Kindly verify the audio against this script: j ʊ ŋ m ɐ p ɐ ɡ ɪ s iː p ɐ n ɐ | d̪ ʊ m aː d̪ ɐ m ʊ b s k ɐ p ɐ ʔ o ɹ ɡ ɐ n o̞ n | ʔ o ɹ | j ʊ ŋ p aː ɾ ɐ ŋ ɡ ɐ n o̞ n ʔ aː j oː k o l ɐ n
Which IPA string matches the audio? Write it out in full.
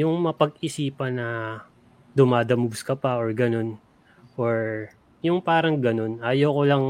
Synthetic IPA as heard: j ʊ ŋ m ɐ p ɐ ɡ ɪ s iː p ɐ n ɐ | d̪ ʊ m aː d̪ ɐ m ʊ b s k ɐ p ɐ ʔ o ɹ ɡ ɐ n o̞ n | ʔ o ɹ | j ʊ ŋ p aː ɾ ɐ ŋ ɡ ɐ n o̞ n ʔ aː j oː k o l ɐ ŋ